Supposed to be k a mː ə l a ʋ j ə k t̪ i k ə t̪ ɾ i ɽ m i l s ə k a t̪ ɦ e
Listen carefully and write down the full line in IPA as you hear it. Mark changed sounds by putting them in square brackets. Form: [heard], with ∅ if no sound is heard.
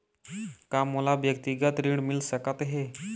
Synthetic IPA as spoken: k a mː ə l a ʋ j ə k t̪ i [ɡ] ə t̪ ɾ i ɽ m i l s ə k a t̪ ɦ e

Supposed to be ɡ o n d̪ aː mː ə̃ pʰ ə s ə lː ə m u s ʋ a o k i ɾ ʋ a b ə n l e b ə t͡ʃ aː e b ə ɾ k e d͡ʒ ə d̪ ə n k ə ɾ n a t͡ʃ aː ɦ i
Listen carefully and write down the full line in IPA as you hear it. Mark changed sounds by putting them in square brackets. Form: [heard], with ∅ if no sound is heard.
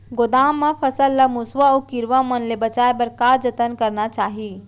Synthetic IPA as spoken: ɡ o [∅] d̪ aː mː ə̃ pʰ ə s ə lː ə m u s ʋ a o k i ɾ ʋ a [m] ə n l e b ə t͡ʃ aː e b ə ɾ k [a] d͡ʒ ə [t̪] ə n k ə ɾ n a t͡ʃ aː ɦ i

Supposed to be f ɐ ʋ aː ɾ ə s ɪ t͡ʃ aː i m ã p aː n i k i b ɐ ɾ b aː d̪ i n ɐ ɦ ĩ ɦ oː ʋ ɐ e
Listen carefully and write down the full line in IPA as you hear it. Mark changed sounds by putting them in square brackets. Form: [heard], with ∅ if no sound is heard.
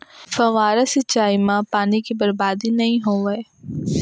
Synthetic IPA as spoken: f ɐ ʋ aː ɾ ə s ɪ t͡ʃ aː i m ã p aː n i k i b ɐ ɾ b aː d̪ i n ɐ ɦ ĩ ɦ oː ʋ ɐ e

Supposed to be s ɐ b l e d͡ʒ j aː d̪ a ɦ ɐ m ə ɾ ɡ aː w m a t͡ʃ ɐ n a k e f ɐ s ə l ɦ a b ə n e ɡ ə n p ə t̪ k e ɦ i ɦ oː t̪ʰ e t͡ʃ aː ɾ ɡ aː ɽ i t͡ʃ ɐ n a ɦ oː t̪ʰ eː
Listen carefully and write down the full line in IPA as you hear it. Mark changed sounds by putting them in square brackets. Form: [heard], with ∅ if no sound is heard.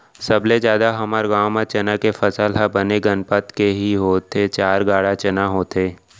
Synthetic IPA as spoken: s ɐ b l e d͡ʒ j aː d̪ a ɦ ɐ m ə ɾ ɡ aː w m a t͡ʃ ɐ n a k e f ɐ s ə l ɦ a b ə n e ɡ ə n p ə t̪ k e ɦ i ɦ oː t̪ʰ e t͡ʃ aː ɾ ɡ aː ɽ [a] t͡ʃ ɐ n a ɦ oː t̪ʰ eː

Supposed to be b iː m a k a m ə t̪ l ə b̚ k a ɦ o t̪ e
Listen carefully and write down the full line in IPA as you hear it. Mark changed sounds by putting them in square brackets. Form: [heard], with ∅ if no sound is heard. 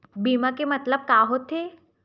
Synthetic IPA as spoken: b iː m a k [e] m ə t̪ l ə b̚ k a ɦ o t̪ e

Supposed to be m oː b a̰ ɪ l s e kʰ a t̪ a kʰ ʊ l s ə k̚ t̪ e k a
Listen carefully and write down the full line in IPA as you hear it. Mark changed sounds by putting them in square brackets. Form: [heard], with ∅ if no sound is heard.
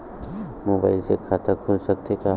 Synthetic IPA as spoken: m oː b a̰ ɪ l s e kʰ a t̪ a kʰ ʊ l s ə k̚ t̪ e k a

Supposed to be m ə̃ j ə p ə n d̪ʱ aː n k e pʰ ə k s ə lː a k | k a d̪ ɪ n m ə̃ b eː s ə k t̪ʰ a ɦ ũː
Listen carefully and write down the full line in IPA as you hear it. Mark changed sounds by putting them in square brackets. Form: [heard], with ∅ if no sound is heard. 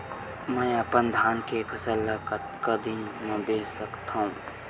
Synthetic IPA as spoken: m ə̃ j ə p ə n d̪ʱ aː n k e pʰ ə [∅] s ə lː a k | k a d̪ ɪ n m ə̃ b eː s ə k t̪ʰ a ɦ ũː

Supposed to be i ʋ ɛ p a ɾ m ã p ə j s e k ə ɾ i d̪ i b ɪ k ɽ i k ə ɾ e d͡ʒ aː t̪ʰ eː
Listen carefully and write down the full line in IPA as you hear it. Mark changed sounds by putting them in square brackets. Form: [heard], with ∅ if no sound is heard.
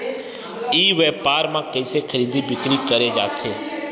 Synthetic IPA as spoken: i ʋ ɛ p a ɾ m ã [k] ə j s e [kʰ] ə ɾ i d̪ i b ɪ k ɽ i k ə ɾ e d͡ʒ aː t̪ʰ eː

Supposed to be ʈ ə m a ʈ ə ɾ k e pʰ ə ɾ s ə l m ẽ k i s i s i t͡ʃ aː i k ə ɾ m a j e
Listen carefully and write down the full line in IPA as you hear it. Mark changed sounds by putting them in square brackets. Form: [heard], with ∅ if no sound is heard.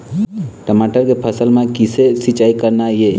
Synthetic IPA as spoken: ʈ ə m a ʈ ə ɾ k e pʰ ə [∅] s ə l m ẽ k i s [e] s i t͡ʃ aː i k ə ɾ [n] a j e

